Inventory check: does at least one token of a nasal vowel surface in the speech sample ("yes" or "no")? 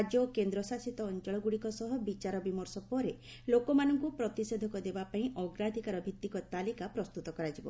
yes